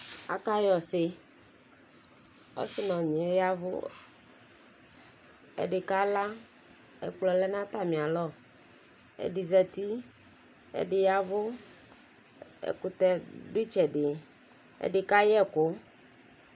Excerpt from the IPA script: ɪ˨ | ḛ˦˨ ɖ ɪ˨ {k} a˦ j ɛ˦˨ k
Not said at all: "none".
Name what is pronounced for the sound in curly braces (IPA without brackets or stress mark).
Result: k